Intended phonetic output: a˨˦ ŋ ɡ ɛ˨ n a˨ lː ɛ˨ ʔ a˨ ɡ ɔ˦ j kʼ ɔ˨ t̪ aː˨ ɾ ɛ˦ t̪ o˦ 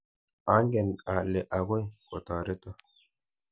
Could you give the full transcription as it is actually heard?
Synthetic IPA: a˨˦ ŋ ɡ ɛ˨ n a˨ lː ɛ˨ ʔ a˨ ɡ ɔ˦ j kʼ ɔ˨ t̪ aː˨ ɾ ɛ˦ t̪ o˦